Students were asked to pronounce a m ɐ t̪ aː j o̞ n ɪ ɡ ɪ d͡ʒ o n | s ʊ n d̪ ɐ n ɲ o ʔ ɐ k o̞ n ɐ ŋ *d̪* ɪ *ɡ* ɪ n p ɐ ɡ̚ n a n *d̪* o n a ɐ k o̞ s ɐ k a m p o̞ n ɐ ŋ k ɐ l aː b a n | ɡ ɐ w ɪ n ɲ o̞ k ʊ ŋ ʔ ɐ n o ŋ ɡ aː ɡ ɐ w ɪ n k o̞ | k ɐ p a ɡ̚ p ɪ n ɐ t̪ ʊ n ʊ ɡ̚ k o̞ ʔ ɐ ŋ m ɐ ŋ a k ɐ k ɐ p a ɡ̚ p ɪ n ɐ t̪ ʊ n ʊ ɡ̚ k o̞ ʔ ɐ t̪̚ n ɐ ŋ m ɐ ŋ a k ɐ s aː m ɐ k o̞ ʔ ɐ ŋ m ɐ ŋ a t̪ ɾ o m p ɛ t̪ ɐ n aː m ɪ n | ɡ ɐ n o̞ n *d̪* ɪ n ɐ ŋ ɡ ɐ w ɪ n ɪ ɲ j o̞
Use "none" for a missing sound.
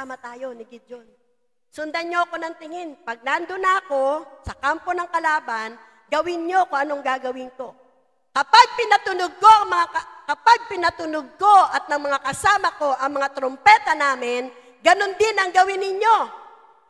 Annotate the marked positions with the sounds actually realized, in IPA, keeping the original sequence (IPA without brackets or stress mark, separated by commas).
t̪, ŋ, d̪, d̪